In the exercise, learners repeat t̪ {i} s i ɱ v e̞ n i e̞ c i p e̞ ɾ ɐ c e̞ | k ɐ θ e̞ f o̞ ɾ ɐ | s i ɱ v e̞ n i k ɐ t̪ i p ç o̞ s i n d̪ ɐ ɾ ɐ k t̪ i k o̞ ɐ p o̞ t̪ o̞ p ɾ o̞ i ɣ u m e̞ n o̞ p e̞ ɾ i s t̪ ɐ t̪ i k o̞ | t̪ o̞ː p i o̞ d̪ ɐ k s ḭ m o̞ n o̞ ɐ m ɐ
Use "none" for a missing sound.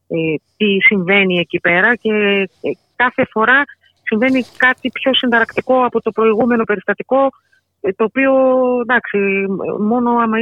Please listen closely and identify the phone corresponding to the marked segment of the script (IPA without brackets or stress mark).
i